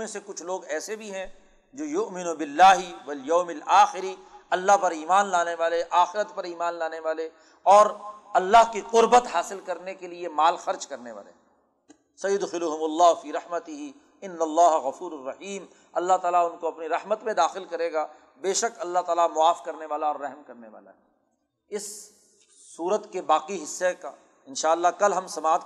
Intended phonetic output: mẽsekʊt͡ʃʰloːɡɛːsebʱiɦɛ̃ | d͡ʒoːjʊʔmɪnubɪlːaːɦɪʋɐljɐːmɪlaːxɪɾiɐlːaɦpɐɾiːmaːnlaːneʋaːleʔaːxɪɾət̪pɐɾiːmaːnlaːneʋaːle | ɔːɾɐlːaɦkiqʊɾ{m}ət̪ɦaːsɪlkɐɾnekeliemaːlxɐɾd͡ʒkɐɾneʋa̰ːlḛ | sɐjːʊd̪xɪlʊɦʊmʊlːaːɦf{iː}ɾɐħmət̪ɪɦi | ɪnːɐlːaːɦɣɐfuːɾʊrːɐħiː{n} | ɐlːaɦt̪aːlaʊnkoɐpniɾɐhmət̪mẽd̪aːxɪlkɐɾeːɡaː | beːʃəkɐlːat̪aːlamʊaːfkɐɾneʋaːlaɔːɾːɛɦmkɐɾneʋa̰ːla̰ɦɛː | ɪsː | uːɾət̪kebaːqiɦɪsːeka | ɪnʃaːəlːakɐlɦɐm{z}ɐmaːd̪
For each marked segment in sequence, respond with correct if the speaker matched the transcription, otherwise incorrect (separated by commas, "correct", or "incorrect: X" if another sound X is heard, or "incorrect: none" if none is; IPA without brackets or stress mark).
incorrect: b, correct, incorrect: m, incorrect: s